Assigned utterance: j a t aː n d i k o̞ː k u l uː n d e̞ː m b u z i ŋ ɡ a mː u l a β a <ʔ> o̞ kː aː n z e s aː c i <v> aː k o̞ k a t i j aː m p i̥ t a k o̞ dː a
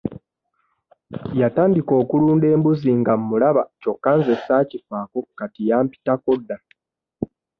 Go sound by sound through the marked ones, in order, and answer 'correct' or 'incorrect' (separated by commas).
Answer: incorrect, incorrect